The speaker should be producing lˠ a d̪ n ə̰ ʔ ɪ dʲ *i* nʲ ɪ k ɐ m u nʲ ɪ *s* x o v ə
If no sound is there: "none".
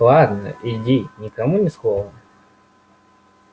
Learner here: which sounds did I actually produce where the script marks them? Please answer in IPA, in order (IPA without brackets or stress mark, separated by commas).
i, s